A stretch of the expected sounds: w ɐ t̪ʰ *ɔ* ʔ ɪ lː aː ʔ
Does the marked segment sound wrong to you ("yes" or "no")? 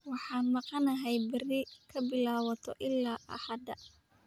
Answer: no